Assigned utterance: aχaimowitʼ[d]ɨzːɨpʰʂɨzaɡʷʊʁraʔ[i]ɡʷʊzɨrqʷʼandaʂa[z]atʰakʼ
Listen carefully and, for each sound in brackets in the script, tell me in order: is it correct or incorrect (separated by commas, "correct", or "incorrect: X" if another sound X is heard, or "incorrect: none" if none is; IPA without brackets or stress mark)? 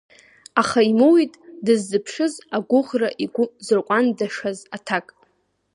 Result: correct, correct, correct